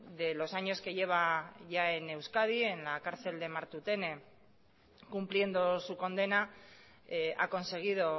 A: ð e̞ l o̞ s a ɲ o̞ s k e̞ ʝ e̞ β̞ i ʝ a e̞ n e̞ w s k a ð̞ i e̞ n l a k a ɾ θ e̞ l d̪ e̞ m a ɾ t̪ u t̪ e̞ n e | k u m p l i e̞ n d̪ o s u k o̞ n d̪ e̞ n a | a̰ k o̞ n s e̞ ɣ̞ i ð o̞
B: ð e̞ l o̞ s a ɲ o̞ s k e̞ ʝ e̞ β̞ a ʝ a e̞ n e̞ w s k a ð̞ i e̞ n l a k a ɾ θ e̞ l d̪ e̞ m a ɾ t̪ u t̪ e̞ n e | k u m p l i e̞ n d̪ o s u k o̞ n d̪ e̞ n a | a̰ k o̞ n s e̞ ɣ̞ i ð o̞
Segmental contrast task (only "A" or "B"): B